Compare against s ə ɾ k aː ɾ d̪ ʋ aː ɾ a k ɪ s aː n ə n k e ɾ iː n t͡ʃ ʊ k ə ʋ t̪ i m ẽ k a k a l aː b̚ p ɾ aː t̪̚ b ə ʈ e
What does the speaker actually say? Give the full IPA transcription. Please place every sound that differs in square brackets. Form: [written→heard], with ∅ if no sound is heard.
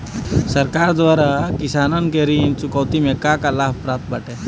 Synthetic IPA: s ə ɾ k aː ɾ d̪ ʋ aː ɾ a k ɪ s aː n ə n k e ɾ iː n t͡ʃ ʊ k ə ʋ t̪ i m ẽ k a k a l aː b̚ p ɾ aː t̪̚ b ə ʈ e